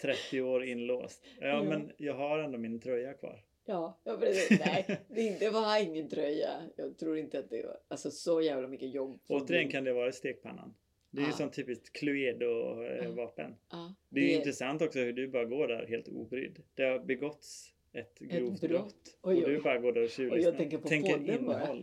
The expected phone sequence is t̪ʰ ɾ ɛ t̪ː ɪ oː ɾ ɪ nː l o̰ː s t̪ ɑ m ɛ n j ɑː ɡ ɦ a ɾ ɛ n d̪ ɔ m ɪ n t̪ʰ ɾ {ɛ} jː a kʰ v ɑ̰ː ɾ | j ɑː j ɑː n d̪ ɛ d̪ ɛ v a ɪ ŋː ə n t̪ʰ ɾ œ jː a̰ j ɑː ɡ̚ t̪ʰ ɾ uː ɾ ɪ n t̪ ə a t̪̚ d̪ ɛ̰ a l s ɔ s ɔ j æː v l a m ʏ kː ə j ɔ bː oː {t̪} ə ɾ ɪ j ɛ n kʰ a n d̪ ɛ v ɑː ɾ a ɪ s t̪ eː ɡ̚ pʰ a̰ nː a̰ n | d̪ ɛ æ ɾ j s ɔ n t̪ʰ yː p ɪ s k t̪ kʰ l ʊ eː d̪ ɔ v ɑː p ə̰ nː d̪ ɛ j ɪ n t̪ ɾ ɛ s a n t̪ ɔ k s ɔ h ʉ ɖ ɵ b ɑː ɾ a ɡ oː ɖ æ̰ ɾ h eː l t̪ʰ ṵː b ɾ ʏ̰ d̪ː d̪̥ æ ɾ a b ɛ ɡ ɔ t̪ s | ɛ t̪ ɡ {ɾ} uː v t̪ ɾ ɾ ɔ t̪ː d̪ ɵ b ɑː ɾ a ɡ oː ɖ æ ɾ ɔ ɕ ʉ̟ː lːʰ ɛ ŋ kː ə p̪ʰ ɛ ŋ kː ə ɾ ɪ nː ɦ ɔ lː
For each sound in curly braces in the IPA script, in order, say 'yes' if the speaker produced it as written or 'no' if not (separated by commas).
no, yes, yes